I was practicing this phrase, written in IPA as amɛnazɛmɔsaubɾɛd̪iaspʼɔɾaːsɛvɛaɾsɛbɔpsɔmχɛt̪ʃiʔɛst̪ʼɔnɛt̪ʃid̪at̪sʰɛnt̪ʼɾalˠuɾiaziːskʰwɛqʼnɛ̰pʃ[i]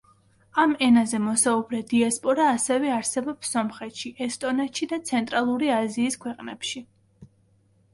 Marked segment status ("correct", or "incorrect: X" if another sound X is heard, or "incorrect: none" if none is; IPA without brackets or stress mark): correct